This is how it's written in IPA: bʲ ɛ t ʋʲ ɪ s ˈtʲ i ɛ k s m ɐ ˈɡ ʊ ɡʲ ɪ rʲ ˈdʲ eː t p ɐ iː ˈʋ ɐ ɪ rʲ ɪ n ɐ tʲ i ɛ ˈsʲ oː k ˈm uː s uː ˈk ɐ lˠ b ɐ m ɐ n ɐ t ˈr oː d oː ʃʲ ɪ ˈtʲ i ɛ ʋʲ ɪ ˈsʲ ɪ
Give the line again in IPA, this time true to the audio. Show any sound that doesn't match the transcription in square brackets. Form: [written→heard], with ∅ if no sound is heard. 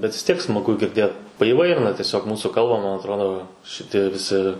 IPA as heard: bʲ ɛ t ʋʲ ɪ s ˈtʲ i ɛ k s m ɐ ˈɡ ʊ ɡʲ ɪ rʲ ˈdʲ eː t p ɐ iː ˈʋ ɐ ɪ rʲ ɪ n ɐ tʲ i ɛ ˈsʲ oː k ˈm uː s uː ˈk ɐ lˠ b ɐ m ɐ n ɐ t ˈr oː d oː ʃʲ ɪ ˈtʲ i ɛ ʋʲ ɪ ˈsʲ ɪ